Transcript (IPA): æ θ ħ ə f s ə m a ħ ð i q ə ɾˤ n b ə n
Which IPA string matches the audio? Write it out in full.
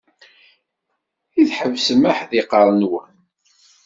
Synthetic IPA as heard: i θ ħ ə v s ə m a ħ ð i q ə ɾˤ n w ə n